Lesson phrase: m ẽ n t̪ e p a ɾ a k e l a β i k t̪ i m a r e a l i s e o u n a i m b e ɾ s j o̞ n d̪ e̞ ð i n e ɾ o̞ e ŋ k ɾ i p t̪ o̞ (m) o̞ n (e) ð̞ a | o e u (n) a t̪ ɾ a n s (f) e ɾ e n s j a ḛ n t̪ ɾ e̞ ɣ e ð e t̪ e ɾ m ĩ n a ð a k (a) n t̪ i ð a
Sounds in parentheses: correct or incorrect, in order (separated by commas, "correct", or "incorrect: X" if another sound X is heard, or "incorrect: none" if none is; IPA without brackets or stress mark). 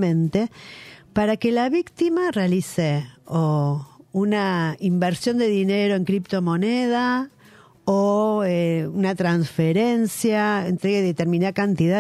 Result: correct, correct, correct, correct, correct